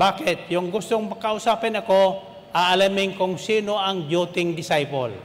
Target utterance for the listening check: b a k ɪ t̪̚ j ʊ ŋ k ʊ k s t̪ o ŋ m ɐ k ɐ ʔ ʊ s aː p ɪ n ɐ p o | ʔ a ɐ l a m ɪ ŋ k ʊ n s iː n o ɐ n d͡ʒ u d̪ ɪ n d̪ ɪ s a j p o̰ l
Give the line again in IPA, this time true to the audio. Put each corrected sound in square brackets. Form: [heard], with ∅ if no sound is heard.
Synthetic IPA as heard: b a k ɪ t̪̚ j ʊ ŋ [ɡ] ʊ [∅] s t̪ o ŋ m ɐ k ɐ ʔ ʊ s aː p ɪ n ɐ [k] o | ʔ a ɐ l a m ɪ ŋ k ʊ [ŋ] s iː n o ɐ [ŋ] d͡ʒ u [t̪] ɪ [ŋ] d̪ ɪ s a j p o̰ l